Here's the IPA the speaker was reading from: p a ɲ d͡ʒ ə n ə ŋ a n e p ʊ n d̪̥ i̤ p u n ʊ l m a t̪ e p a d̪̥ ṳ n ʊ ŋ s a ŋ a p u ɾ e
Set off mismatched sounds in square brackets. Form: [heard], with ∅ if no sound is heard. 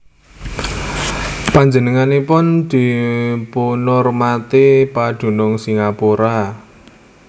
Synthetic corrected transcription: p a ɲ d͡ʒ ə n ə ŋ a n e p ʊ n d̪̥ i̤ p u n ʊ [r] m a t̪ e p a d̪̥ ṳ n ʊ ŋ s [i] ŋ a p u ɾ [a]